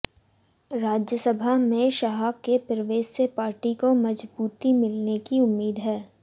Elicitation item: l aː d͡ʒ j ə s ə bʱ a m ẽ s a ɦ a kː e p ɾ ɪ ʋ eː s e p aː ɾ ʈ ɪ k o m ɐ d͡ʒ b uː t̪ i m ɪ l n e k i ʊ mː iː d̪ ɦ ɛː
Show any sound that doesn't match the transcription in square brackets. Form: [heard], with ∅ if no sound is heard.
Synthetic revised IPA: [ɾ] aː d͡ʒ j ə s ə bʱ a m ẽ [ʃ] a ɦ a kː e p ɾ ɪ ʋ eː s e p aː ɾ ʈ [i] k o m ɐ d͡ʒ b uː t̪ i m ɪ l n e k i ʊ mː iː d̪ ɦ ɛː